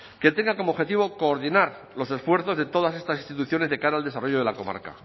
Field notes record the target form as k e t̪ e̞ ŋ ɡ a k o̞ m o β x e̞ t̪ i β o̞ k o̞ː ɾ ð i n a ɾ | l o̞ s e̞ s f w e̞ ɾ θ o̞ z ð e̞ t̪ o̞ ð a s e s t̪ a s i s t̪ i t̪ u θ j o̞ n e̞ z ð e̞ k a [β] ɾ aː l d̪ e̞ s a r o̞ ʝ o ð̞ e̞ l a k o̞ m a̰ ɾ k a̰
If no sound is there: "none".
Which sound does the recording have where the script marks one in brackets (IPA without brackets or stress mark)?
none